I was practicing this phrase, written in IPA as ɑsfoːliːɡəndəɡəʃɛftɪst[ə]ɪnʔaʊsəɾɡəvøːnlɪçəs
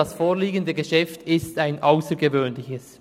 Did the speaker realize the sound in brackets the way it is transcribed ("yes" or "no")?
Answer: no